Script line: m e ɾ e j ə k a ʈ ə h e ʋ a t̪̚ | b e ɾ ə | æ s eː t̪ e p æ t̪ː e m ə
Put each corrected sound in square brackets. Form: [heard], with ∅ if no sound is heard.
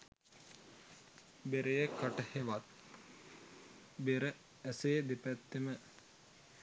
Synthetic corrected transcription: [b] e ɾ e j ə k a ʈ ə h e ʋ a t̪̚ | b e ɾ ə | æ s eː [d̪] e p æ t̪ː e m ə